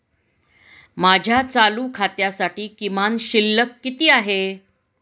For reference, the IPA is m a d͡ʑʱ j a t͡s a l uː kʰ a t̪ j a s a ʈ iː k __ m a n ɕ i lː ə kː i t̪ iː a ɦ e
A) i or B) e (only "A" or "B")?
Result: A